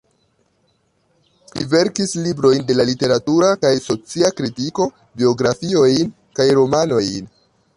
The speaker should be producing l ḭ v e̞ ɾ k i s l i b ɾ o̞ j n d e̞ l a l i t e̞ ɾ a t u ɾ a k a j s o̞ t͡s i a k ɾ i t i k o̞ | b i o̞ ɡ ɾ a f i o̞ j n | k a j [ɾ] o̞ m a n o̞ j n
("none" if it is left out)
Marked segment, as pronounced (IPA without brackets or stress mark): ɾ